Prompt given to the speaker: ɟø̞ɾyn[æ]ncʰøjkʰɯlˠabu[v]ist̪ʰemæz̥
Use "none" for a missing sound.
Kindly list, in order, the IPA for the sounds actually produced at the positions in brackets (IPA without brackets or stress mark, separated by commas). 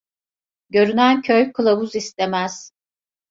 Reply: æ, z